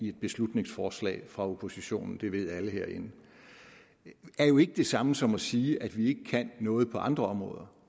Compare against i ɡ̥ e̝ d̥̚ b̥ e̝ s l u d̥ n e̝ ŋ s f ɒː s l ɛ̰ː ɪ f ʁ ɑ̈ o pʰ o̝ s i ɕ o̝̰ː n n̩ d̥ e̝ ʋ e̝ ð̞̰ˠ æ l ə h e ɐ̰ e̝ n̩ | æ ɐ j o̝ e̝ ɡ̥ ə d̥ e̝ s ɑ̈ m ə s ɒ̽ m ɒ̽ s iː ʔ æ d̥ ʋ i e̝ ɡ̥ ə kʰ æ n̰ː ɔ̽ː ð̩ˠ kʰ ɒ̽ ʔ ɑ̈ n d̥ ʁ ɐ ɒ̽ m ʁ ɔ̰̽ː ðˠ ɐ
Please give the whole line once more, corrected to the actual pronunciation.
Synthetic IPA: i e̝ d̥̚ b̥ e̝ s l u d̥ n e̝ ŋ s f ɒː s l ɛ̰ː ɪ f ʁ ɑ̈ o pʰ o̝ s i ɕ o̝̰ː n n̩ d̥ e̝ ʋ e̝ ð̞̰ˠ æ l ə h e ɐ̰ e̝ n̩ | æ ɐ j o̝ e̝ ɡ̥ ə d̥ e̝ s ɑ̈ m ə s ɒ̽ m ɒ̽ s iː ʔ æ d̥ ʋ i e̝ ɡ̥ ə kʰ æ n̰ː ɔ̽ː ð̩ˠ pʰ ɒ̽ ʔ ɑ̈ n d̥ ʁ ɐ ɒ̽ m ʁ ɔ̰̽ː ðˠ ɐ

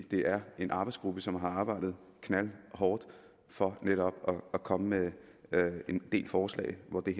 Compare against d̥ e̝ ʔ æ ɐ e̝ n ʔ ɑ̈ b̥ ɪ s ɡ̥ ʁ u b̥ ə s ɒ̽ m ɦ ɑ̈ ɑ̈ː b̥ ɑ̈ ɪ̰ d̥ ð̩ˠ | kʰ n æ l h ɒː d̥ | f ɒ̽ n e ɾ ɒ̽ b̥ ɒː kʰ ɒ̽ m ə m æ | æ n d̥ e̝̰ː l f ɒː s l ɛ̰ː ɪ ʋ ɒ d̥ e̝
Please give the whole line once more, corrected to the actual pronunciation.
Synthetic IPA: d̥ e̝ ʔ æ ɐ e̝ n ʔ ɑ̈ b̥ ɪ s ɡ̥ ʁ u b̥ ə s ɒ̽ m ɦ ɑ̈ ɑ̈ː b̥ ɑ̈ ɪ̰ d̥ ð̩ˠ | kʰ n æ l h ɒː d̥ | f ɒ̽ n e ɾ ɒ̽ b̥ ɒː kʰ ɒ̽ m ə m e | e n d̥ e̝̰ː l f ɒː s l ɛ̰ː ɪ ʋ ɒ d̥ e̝

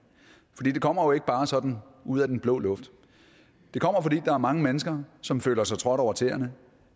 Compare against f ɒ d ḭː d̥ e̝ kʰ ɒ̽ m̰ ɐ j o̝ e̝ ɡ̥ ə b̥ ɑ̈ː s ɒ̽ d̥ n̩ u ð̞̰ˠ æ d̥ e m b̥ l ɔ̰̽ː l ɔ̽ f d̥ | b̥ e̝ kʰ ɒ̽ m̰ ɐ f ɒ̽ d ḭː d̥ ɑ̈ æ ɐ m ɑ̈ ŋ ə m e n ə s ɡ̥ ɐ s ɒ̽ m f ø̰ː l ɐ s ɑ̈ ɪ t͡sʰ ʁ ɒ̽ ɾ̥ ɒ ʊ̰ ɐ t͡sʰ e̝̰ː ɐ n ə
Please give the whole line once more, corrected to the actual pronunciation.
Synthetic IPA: f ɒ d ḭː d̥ e̝ kʰ ɒ̽ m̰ ɐ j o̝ e̝ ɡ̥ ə b̥ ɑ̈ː s ɒ̽ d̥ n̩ u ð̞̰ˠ æ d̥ e n b̥ l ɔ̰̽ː l ɔ̽ f d̥ | d̥ e̝ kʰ ɒ̽ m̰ ɐ f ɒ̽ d ḭː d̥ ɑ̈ æ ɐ m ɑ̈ ŋ ə m e n ə s ɡ̥ ɐ s ɒ̽ m f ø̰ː l ɐ s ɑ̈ ɪ t͡sʰ ʁ ɒ̽ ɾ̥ ɒ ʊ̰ ɐ t͡sʰ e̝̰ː ɐ n ə

